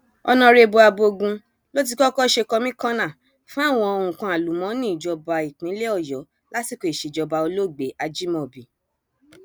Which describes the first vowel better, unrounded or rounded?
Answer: rounded